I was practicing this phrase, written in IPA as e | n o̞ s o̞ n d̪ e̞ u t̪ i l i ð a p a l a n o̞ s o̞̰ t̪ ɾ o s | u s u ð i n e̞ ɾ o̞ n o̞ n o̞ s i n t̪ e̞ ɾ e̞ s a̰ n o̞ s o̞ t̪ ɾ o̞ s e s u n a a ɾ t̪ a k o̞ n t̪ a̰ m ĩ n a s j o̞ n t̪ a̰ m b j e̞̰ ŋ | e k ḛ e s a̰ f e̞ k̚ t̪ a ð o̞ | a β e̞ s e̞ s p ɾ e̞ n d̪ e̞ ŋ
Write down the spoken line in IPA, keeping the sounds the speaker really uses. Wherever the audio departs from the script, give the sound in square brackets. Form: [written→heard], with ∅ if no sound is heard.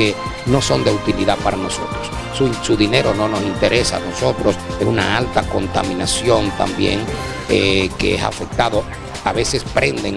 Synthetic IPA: e | n o̞ s o̞ n d̪ e̞ u t̪ i l i ð a p a [l→ɾ] a n o̞ s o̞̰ t̪ ɾ o s | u s u ð i n e̞ ɾ o̞ n o̞ n o̞ s i n t̪ e̞ ɾ e̞ s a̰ n o̞ s o̞ t̪ ɾ o̞ s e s u n a a [ɾ→l] t̪ a k o̞ n t̪ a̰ m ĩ n a s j o̞ n t̪ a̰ m b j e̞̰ ŋ | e k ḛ e s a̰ f e̞ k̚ t̪ a ð o̞ | a β e̞ s e̞ s p ɾ e̞ n d̪ e̞ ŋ